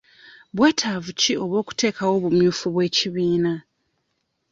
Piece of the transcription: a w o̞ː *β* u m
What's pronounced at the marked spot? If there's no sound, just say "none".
β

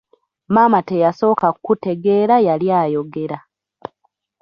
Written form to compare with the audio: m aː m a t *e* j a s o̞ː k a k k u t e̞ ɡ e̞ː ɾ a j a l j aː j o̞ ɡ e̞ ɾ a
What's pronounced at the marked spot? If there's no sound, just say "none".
e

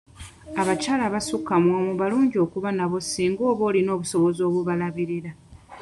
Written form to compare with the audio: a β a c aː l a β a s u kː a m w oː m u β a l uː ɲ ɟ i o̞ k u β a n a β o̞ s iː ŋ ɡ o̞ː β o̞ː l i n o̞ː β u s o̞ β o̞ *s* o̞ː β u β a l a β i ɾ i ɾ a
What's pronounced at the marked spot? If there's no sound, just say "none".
z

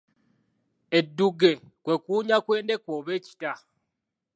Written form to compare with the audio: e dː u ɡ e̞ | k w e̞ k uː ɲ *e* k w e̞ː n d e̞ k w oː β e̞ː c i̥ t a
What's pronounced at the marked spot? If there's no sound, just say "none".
a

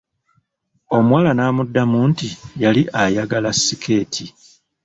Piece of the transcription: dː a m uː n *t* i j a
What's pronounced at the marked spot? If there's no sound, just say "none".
t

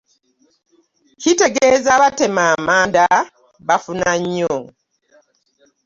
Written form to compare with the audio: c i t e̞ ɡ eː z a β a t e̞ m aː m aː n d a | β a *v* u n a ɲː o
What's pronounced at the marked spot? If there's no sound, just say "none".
f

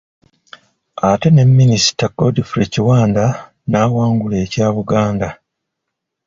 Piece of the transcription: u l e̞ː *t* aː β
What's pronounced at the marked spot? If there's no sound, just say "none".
c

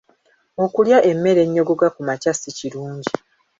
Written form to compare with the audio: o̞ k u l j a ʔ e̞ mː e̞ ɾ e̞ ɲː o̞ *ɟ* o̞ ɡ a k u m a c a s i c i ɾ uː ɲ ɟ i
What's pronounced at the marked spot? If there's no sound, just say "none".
ɡ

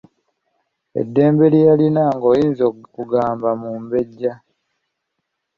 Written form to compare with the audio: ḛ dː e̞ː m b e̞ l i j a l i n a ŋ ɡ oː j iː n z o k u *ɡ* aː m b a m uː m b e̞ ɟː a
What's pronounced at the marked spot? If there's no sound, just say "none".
ɡ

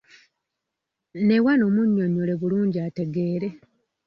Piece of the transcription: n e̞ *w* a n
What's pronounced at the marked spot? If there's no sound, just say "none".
w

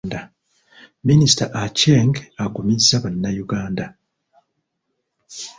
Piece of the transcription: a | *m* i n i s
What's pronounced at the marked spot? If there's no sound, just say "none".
m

